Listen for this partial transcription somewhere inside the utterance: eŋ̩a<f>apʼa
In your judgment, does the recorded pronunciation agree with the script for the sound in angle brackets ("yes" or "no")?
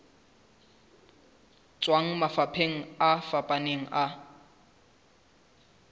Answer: yes